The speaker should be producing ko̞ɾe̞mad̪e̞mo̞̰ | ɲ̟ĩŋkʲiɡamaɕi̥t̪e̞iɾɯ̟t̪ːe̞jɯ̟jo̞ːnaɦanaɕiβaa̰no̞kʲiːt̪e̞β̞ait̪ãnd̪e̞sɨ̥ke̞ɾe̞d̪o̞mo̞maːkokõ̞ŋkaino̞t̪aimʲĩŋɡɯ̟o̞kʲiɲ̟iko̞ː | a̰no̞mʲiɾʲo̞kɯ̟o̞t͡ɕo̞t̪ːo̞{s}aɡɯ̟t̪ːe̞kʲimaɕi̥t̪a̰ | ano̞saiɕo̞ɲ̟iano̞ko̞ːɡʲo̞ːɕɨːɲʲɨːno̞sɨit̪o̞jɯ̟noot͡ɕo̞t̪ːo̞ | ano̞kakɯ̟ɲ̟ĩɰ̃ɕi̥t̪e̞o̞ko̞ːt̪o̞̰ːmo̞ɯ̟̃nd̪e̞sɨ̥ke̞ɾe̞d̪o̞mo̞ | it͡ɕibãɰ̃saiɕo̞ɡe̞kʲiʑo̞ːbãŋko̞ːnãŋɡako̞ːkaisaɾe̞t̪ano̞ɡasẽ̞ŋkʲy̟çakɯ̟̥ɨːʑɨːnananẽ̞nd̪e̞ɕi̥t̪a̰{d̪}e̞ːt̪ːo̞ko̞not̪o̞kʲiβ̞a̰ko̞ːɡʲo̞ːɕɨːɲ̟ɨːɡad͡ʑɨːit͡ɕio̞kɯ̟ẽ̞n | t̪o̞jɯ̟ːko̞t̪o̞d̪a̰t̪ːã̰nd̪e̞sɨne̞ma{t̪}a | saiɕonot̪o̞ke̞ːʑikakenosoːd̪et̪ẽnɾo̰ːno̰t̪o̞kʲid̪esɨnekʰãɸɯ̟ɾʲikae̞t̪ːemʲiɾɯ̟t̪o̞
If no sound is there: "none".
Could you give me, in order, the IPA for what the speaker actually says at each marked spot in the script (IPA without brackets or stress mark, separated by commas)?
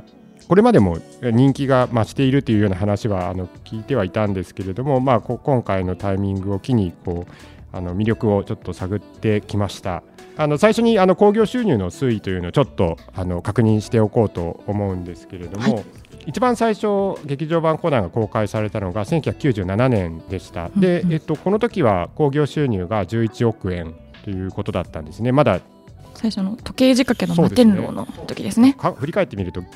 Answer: s, d̪, d̪